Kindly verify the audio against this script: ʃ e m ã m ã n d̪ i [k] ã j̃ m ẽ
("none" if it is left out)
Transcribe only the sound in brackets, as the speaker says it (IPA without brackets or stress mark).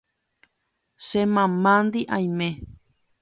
ʔ